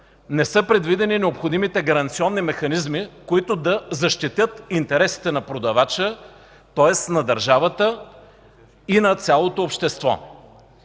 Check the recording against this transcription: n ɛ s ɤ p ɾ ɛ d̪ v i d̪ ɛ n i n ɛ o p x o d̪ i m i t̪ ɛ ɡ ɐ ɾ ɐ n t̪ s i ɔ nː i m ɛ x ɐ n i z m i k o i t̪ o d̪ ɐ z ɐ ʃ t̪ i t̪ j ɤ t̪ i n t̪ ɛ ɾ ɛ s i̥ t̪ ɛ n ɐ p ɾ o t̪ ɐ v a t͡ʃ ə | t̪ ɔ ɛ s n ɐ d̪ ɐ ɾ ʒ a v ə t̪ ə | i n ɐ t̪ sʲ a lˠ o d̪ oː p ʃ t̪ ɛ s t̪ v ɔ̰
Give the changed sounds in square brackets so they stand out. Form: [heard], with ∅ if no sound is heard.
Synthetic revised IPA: n ɛ s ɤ p ɾ ɛ d̪ v i d̪ ɛ n i n ɛ o p x o d̪ i m i t̪ ɛ ɡ ɐ ɾ ɐ n t̪ s i ɔ nː i m ɛ x ɐ n i z m i k o i t̪ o d̪ ɐ z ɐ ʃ t̪ i t̪ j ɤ t̪ i n t̪ ɛ ɾ ɛ s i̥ t̪ ɛ n ɐ p ɾ o [d̪] ɐ v a t͡ʃ ə | t̪ ɔ ɛ s n ɐ d̪ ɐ ɾ ʒ a v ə t̪ ə | i n ɐ t̪ sʲ a lˠ o [t̪] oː p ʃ t̪ ɛ s t̪ v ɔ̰